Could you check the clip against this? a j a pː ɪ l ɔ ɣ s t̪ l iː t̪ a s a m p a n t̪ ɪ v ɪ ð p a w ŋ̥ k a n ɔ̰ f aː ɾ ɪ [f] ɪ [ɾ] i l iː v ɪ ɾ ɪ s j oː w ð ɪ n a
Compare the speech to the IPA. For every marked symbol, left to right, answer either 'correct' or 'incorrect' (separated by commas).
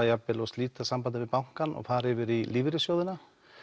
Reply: incorrect, correct